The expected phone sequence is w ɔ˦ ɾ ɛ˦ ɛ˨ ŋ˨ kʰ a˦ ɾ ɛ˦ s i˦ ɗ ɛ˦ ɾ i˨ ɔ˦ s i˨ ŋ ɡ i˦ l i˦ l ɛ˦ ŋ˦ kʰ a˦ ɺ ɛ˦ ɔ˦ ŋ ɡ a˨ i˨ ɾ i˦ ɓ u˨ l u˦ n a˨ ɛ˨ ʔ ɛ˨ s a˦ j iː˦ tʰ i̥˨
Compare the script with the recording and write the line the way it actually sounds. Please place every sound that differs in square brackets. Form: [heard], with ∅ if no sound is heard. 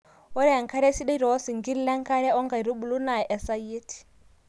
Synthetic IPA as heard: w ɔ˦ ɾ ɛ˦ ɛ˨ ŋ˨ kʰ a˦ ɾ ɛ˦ s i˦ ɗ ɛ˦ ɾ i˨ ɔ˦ s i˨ ŋ ɡ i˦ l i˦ l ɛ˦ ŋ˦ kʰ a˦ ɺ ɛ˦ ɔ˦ ŋ ɡ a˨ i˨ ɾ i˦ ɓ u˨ l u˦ n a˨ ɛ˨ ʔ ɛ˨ s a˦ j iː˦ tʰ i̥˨

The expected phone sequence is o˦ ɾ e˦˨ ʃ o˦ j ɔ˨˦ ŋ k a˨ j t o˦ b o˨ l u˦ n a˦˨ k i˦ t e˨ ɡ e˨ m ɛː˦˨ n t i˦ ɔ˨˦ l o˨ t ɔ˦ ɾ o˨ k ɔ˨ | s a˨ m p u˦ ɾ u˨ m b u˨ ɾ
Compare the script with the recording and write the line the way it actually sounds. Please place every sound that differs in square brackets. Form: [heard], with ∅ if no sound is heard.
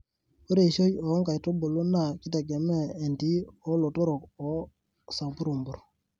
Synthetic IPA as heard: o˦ ɾ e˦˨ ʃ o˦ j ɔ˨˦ ŋ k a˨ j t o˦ b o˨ l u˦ n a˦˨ k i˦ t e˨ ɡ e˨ m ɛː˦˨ n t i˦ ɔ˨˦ l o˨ t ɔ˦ ɾ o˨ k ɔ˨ | s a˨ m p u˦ ɾ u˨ m b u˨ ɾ

